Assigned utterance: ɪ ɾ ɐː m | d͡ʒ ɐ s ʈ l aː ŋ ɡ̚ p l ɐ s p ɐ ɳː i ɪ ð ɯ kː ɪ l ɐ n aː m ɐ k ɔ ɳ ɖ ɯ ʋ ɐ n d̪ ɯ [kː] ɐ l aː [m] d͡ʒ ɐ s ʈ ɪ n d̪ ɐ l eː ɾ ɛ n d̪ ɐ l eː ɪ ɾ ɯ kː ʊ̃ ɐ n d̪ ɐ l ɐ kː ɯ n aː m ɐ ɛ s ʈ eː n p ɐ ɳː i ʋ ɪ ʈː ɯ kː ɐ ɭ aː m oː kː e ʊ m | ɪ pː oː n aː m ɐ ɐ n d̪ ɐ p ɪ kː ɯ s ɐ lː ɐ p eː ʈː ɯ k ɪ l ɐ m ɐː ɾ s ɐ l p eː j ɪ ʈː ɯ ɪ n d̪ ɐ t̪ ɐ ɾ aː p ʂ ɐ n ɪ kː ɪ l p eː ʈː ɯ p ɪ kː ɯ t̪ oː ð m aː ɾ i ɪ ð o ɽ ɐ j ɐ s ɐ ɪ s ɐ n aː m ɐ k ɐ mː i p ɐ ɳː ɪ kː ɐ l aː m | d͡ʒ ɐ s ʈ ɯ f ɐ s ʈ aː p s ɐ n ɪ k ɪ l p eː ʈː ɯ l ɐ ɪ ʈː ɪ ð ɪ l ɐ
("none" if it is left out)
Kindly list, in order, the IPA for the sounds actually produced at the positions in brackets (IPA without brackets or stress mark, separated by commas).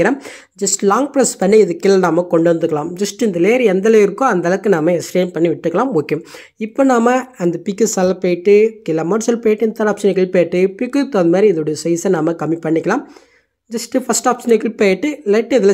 kː, m